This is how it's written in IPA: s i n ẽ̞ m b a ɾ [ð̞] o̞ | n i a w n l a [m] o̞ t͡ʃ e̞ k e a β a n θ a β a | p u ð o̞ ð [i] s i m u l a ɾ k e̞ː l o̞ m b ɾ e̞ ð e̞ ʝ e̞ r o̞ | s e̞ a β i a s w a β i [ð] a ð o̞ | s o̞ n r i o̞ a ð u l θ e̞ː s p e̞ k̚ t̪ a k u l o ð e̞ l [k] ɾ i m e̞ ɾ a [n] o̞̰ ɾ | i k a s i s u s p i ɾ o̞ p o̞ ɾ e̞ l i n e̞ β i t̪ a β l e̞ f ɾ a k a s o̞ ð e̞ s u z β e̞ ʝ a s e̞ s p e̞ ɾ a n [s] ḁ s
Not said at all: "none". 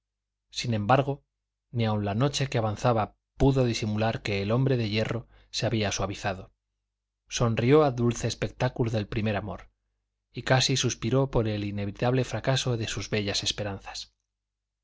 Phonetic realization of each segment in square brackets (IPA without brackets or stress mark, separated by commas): ɣ̞, n, i, θ, p, m, θ